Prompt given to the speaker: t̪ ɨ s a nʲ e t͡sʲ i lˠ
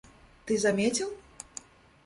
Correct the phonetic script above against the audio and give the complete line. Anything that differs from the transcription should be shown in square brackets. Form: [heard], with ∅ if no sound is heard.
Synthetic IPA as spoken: t̪ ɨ [z] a [mʲ] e t͡sʲ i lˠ